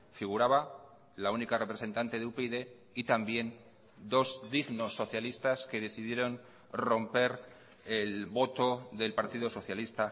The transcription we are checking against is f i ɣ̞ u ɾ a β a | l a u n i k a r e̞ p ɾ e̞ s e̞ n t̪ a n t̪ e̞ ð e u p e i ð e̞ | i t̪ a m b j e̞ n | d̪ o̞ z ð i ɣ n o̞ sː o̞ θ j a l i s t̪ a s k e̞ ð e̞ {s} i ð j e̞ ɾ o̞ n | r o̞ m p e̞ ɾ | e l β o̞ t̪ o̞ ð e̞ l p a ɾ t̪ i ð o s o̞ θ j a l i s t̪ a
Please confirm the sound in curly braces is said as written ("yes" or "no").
no